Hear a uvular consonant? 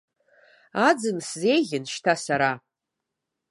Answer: no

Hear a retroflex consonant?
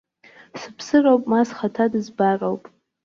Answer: no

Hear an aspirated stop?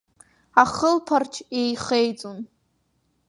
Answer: yes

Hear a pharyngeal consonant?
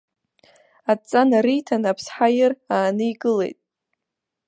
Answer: yes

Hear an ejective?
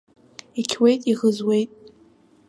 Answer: yes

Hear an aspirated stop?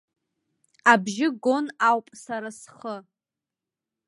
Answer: no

